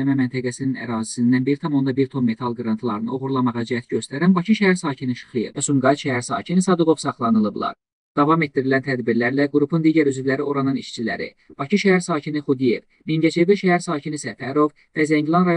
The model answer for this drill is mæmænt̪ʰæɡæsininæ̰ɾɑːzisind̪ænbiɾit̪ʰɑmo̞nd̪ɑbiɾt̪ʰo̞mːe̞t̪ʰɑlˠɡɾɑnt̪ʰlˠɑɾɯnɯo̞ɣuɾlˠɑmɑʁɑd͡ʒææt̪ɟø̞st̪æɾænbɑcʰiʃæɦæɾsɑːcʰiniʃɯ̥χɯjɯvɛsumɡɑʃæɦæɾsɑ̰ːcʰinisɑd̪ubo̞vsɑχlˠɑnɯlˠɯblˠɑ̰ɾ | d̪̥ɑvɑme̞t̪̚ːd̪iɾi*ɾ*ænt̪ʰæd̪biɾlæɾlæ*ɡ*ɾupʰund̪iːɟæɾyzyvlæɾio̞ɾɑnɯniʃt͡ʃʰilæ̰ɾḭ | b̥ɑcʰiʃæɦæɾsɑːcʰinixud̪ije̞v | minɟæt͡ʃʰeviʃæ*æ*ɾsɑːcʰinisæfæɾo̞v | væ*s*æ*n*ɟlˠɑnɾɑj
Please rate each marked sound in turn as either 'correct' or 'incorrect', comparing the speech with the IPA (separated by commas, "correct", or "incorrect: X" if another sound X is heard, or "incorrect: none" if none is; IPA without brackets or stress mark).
incorrect: l, correct, correct, incorrect: z, incorrect: ɲ